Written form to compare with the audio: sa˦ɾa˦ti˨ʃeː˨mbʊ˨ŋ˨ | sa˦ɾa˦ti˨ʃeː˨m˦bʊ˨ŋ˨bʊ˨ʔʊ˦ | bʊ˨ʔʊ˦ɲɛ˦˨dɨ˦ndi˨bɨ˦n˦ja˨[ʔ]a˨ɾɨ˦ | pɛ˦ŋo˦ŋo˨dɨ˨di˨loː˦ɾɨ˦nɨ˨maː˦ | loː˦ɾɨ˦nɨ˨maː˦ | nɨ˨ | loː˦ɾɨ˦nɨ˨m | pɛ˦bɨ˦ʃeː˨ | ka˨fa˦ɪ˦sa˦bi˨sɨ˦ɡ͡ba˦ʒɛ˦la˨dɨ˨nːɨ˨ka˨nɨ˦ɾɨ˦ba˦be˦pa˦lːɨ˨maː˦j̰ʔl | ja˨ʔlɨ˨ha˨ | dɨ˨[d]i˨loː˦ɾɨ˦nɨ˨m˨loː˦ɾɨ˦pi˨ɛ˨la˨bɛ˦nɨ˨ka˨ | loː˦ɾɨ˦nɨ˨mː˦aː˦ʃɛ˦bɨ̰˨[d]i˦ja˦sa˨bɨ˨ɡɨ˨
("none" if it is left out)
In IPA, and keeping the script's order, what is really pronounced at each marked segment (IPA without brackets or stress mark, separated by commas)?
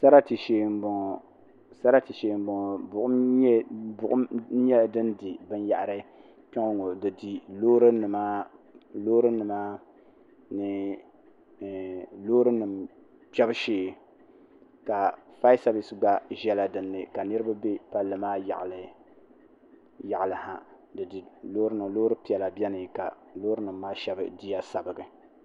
ʔ, d, d